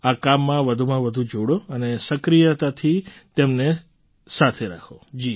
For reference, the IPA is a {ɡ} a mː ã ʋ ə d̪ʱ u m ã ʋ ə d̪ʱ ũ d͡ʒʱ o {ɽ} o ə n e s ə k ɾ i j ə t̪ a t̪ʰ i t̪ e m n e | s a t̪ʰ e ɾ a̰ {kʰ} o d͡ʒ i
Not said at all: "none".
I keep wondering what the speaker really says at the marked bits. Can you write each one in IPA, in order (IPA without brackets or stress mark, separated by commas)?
k, ɽ, kʰ